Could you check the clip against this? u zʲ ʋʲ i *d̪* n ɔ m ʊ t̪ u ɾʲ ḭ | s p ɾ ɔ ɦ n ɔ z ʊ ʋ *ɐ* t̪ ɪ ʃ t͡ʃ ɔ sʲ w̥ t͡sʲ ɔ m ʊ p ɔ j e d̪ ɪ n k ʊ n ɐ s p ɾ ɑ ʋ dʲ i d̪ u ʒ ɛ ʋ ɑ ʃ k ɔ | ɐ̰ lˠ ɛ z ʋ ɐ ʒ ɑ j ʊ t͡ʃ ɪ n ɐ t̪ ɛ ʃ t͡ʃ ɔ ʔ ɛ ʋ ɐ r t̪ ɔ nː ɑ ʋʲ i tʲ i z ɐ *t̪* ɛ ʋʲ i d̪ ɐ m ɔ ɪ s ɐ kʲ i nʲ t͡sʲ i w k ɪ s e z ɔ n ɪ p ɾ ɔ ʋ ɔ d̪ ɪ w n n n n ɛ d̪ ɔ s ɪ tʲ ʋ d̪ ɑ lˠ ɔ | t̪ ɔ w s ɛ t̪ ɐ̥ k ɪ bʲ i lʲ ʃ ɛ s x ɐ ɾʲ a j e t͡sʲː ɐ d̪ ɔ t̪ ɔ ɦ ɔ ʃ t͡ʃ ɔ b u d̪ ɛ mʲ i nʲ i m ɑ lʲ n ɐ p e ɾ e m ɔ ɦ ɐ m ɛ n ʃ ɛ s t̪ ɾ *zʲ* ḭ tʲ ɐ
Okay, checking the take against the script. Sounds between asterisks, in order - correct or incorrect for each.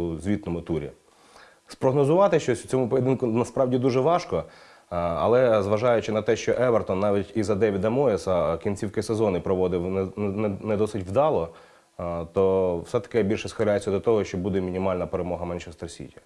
incorrect, incorrect, incorrect, incorrect

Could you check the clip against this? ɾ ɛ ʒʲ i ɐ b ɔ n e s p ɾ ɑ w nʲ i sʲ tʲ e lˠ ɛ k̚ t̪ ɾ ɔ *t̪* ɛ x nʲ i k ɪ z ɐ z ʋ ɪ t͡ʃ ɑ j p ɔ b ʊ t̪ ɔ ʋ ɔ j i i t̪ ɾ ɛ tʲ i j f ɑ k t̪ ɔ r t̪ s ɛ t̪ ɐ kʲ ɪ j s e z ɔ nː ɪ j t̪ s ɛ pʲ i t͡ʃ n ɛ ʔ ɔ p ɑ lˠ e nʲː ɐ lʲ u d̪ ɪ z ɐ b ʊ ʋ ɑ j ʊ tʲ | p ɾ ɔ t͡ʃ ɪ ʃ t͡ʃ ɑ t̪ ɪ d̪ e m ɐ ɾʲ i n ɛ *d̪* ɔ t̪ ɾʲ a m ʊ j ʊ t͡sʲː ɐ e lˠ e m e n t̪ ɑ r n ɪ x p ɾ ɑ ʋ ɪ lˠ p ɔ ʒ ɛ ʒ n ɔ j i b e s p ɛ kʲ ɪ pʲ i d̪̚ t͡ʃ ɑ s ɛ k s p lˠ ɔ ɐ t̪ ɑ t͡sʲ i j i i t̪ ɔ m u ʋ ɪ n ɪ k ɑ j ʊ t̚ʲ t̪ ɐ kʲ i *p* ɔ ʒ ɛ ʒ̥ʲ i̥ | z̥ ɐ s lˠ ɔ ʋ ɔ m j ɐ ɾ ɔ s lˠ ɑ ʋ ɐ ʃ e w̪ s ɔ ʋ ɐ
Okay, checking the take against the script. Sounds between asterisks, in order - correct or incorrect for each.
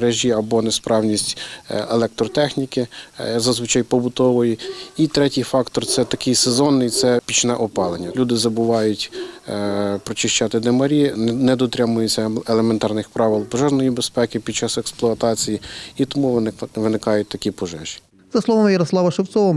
correct, correct, correct

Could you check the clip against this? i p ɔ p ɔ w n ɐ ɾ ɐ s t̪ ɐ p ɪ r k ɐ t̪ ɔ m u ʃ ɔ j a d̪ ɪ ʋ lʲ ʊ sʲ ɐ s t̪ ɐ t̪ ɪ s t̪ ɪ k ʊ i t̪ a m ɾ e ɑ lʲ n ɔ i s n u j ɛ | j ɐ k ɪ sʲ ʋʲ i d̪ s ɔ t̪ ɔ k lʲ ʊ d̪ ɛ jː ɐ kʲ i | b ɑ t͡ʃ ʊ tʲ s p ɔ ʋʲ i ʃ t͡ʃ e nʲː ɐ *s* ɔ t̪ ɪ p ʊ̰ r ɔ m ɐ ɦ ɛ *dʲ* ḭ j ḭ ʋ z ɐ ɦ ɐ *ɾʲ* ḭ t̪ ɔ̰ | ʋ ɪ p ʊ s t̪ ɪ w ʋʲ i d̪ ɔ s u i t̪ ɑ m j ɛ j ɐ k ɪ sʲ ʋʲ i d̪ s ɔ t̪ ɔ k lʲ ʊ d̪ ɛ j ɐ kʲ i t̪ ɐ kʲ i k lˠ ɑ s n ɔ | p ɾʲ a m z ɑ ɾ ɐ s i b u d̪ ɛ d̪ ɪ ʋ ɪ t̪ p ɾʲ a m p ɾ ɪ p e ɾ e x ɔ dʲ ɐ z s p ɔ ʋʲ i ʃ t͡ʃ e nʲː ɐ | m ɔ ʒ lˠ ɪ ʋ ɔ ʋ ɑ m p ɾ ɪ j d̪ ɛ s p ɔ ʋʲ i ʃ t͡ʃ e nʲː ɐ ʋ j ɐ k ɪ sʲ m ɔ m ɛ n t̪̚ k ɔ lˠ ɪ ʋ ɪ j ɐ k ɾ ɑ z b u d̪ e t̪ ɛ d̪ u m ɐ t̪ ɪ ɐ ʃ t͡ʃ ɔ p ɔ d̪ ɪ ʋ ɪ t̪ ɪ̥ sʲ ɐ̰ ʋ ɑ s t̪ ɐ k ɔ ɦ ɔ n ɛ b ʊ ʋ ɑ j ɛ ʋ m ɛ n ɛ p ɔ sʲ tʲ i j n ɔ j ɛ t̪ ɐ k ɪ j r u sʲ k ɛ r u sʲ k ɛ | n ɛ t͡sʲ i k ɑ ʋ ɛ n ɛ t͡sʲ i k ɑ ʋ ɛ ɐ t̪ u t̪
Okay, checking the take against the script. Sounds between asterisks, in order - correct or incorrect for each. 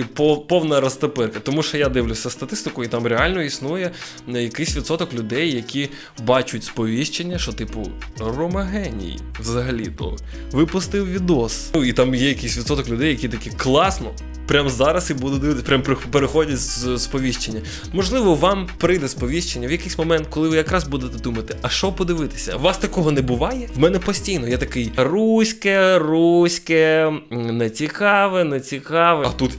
incorrect, incorrect, incorrect

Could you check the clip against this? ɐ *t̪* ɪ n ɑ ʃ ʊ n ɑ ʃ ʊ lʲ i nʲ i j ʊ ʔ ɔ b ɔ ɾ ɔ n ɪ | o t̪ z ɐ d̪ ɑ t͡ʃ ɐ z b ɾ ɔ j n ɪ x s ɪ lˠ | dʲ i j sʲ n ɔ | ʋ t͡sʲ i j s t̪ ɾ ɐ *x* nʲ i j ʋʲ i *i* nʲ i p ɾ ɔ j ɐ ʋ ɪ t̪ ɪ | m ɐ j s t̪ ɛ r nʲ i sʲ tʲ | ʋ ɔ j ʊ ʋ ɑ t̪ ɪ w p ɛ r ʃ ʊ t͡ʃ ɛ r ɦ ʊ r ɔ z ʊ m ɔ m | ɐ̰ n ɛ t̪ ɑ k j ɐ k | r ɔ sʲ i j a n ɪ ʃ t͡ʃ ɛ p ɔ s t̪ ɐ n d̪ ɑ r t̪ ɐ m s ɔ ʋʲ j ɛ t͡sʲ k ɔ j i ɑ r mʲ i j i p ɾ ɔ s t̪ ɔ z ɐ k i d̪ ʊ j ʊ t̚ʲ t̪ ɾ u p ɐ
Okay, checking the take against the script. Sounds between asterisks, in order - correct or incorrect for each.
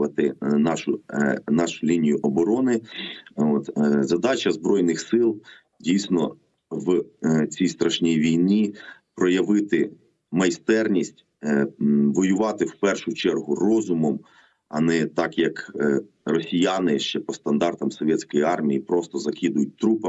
correct, incorrect, incorrect

